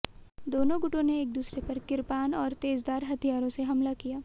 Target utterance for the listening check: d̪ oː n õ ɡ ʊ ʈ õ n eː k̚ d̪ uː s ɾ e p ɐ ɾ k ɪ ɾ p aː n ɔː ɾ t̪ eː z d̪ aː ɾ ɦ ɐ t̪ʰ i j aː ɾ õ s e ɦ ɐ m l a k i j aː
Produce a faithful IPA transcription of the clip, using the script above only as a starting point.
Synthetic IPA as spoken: d̪ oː n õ ɡ ʊ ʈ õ n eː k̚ d̪ uː s ɾ e p ɐ ɾ k ɪ ɾ p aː n ɔː ɾ t̪ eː z d̪ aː ɾ ɦ ɐ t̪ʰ i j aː ɾ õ s e ɦ ɐ m l a k i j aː